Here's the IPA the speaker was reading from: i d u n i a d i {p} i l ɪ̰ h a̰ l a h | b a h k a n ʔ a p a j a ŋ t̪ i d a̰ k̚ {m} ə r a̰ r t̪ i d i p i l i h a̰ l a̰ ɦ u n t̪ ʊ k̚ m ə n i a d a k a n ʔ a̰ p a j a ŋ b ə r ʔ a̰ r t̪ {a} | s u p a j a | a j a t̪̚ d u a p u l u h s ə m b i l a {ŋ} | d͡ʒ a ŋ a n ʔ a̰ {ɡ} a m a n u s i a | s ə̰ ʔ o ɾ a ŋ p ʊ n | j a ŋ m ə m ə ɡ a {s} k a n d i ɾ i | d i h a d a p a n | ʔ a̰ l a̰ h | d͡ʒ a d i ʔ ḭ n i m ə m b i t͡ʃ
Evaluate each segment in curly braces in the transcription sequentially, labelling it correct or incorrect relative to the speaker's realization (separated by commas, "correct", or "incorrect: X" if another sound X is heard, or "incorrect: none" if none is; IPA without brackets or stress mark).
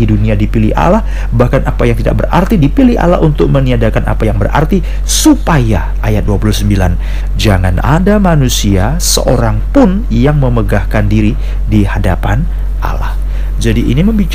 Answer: correct, incorrect: b, incorrect: i, incorrect: n, incorrect: d, incorrect: h